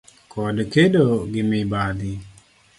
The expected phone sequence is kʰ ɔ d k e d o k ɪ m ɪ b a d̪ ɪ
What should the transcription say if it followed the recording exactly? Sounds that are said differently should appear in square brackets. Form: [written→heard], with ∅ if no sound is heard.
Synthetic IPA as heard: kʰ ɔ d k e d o [k→ɡ] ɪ m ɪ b a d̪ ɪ